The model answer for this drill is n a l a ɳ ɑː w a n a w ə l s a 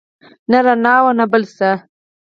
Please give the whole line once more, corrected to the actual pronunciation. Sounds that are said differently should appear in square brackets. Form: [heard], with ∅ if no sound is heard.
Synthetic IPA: n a [ɾ] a [n] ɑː w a n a [b] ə l s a